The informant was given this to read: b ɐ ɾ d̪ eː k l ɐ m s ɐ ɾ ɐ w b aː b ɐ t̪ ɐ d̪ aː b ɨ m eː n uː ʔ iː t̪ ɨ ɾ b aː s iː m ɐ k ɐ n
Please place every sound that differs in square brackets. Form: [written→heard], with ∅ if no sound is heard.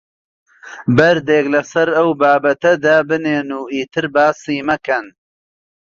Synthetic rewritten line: b ɐ ɾ d̪ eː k l ɐ [m→∅] s ɐ ɾ ɐ w b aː b ɐ t̪ ɐ d̪ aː b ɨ [m→n] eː n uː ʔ iː t̪ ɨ ɾ b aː s iː m ɐ k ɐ n